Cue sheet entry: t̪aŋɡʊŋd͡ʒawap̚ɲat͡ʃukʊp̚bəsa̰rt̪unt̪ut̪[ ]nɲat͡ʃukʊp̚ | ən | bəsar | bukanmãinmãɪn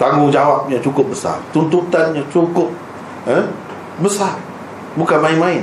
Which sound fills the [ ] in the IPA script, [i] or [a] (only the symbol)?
a